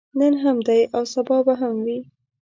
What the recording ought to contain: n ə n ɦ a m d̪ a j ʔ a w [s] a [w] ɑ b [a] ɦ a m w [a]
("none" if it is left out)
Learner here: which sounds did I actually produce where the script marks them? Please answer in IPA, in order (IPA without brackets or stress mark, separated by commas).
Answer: s, b, a, i